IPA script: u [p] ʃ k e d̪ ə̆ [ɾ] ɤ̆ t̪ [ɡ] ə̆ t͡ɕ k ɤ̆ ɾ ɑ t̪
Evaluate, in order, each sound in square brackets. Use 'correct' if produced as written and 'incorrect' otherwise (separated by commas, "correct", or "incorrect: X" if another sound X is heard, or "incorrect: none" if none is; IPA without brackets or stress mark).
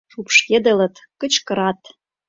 correct, incorrect: l, incorrect: k